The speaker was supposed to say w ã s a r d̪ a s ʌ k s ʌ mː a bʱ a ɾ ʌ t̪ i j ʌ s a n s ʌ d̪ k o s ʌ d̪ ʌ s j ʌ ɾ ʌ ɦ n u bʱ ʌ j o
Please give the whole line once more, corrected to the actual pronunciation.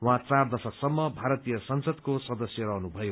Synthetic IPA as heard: w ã t͡s a r d̪ ʌ s ʌ k s ʌ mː ʌ bʱ a ɾ ʌ t̪ i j ʌ s ʌ n s ʌ d̪ k o s ʌ d̪ ʌ s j ʌ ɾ ʌ ɦ n u bʱ ʌ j o